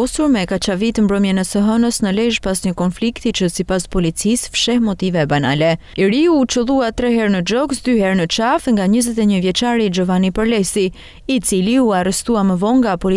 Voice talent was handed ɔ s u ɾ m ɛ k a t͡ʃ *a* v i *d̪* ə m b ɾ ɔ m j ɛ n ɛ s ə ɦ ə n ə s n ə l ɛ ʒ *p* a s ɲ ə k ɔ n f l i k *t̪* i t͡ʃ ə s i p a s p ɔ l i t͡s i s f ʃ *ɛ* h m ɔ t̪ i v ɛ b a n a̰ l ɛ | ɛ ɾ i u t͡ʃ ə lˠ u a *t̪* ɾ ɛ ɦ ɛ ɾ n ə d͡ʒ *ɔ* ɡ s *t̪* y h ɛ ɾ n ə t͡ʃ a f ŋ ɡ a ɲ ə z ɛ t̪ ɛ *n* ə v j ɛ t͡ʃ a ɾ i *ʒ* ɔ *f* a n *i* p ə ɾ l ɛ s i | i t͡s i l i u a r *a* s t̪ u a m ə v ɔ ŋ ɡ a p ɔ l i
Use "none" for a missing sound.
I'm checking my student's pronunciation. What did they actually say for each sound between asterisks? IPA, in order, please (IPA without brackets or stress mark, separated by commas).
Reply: a, t̪, p, t̪, ɛ, t̪, ɔ, d̪, ɲ, d͡ʒ, v, i, ɛ